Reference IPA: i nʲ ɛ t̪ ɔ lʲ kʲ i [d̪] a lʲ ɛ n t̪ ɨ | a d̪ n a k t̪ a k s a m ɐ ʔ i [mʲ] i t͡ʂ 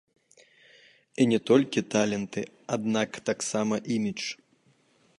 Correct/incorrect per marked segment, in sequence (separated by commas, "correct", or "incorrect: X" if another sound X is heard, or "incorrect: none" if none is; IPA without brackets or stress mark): incorrect: t̪, correct